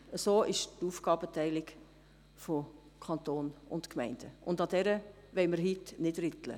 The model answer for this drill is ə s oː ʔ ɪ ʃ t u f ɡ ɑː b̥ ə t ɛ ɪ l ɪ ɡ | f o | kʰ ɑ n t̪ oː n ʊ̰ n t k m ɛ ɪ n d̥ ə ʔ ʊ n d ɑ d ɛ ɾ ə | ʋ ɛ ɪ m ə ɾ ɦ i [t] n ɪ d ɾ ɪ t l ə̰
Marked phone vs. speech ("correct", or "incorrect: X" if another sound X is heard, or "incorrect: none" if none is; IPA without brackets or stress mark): correct